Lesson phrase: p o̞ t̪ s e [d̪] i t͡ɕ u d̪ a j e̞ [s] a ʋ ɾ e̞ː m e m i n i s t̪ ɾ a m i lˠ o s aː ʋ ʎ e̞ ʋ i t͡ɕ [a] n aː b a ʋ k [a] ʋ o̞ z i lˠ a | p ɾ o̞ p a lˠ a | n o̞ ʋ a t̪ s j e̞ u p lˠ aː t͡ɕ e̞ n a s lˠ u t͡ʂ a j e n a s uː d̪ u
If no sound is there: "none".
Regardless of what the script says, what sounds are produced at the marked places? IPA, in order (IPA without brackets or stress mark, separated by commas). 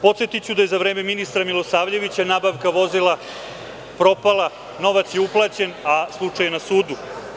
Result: t̪, z, a, a